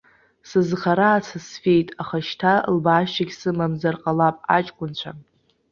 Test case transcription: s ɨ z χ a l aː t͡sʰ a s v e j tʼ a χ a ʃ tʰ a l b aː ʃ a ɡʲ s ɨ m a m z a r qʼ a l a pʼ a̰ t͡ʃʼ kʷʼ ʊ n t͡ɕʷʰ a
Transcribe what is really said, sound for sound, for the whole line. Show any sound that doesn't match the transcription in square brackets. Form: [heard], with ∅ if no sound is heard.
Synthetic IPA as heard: s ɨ z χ a [ɾ] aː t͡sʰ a s [f] e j tʼ a χ a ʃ tʰ a l b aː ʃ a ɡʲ s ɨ m a m z a r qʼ a l a pʼ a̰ t͡ʃʼ kʷʼ ʊ n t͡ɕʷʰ a